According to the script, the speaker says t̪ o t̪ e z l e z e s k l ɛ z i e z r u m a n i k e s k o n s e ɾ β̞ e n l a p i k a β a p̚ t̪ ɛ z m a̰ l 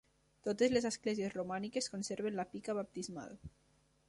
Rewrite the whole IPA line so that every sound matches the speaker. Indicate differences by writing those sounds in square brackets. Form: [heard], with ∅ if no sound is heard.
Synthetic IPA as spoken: t̪ o t̪ e z l e z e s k l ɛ z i e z r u m a n i k e s k o n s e ɾ β̞ e n l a p i k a β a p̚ t̪ [i] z m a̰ l